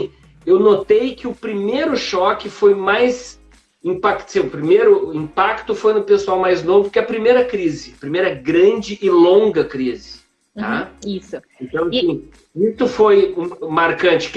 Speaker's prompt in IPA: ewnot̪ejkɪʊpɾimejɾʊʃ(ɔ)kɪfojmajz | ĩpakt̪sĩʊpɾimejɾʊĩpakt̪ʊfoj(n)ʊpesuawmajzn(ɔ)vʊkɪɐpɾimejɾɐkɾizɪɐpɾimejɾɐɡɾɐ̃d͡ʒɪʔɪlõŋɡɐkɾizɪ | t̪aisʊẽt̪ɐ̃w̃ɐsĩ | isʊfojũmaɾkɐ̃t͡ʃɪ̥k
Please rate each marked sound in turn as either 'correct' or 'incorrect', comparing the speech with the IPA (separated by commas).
correct, correct, incorrect